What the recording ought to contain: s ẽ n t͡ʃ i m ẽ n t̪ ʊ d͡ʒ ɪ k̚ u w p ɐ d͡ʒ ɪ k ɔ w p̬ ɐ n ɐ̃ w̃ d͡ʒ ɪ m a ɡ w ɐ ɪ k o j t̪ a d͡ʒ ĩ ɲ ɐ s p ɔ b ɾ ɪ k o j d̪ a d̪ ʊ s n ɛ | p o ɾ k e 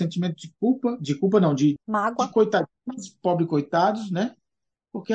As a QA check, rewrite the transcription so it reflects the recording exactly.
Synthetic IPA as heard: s ẽ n t͡ʃ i m ẽ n t̪ ʊ d͡ʒ ɪ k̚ u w p ɐ d͡ʒ ɪ k u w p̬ ɐ n ɐ̃ w̃ d͡ʒ ɪ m a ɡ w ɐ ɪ k o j t̪ a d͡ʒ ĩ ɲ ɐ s p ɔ b ɾ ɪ k o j t̪ a d̪ ʊ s n ɛ | p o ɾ k e